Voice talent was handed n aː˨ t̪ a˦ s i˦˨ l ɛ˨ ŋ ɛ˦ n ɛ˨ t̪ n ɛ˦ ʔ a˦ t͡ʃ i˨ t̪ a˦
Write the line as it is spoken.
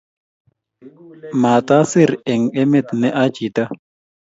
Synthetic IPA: m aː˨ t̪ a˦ s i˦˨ ɾ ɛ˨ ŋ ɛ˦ m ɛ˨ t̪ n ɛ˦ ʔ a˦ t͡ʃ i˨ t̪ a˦